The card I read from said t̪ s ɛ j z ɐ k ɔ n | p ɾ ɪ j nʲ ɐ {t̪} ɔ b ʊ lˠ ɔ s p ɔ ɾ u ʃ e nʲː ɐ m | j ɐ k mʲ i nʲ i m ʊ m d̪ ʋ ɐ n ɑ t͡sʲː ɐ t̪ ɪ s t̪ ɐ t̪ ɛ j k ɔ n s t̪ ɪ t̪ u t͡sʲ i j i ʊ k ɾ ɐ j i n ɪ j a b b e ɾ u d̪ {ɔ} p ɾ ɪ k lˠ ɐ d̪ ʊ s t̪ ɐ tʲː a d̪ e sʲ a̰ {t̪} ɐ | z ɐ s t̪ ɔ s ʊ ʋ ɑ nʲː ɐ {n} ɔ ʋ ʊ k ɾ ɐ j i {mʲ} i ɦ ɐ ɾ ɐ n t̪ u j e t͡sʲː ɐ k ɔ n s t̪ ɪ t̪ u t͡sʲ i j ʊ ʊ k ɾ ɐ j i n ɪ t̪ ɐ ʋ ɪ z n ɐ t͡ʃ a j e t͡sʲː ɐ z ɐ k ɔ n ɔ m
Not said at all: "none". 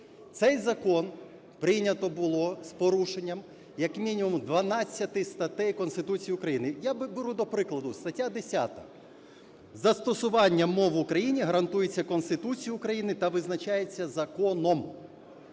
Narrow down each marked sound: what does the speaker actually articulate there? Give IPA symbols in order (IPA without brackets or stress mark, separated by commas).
t̪, ɔ, t̪, m, nʲ